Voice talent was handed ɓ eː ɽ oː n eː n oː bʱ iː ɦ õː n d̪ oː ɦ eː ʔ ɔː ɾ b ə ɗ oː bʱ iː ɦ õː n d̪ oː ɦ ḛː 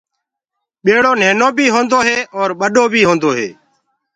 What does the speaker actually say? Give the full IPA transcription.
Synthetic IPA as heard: ɓ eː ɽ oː n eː n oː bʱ iː ɦ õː n d̪ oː ɦ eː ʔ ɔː ɾ ɓ ə ɗ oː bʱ iː ɦ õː n d̪ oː ɦ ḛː